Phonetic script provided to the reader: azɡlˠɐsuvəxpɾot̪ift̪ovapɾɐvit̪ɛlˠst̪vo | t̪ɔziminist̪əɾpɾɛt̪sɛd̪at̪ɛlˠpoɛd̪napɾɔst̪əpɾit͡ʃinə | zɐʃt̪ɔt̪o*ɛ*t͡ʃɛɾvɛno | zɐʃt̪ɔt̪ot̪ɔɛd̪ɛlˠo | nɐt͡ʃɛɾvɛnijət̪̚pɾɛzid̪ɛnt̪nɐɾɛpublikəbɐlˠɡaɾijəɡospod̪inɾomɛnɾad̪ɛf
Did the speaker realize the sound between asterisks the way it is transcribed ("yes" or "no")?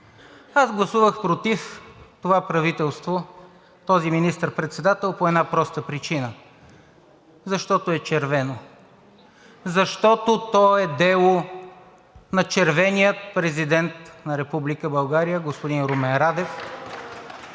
yes